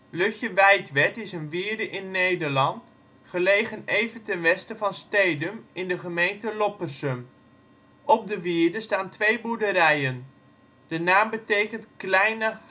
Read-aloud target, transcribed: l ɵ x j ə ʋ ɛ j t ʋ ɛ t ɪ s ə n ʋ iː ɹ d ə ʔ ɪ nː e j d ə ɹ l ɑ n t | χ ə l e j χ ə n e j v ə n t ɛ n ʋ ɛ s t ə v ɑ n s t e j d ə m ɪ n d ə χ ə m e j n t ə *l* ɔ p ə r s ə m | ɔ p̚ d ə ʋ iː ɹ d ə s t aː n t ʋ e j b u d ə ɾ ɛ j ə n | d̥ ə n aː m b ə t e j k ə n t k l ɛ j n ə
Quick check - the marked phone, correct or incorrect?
correct